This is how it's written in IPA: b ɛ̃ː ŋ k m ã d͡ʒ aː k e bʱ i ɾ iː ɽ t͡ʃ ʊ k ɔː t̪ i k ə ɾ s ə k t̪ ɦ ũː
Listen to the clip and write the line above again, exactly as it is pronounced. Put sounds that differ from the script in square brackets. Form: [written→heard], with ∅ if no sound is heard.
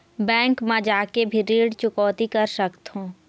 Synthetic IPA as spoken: b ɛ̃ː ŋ k m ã d͡ʒ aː k e bʱ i ɾ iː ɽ t͡ʃ ʊ k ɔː t̪ i k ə ɾ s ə k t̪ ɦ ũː